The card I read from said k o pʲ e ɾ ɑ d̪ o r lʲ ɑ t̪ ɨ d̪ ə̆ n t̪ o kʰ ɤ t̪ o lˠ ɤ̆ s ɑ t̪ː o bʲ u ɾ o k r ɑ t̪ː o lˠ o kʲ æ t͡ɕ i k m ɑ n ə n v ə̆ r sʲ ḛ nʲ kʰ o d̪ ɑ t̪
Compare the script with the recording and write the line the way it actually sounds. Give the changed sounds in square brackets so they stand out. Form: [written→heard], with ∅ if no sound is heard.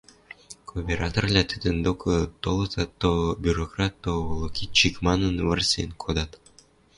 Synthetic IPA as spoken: k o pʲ e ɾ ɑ [d̪→t̪] o r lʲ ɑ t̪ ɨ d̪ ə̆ n [t̪→d̪] o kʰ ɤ t̪ o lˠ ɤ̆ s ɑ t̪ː o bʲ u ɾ o k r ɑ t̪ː o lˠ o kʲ [æ→i] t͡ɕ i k m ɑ n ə n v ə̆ r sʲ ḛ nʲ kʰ o d̪ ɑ t̪